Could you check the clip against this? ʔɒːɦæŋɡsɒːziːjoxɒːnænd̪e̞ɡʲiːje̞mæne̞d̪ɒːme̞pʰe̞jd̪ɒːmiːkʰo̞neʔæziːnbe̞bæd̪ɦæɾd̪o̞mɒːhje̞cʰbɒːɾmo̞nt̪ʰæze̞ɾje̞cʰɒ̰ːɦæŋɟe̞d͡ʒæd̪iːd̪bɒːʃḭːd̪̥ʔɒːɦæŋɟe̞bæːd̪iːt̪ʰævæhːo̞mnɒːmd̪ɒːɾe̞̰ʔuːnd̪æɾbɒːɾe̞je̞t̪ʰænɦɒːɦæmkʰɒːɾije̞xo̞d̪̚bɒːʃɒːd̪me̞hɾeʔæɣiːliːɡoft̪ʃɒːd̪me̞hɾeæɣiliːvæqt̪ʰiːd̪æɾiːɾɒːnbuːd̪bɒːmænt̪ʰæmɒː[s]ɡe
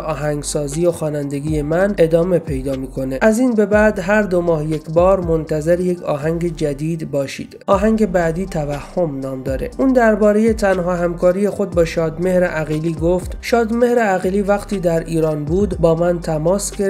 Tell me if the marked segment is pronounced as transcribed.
yes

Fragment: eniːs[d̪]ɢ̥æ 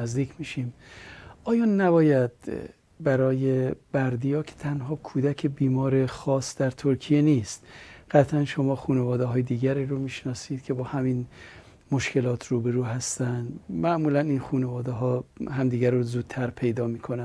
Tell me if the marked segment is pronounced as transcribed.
no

